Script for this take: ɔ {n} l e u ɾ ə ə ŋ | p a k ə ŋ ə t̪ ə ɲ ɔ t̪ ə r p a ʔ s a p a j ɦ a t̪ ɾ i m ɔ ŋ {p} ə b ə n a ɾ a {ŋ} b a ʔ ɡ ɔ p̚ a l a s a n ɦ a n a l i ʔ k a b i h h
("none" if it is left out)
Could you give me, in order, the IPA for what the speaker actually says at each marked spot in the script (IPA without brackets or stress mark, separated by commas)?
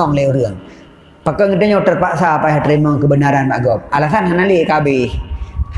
ŋ, k, n